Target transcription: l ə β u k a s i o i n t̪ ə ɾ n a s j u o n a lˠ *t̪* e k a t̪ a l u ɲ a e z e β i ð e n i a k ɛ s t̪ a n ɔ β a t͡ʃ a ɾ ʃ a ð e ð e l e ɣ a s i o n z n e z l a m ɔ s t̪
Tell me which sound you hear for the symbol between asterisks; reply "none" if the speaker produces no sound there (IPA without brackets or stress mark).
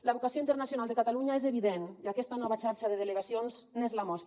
d̪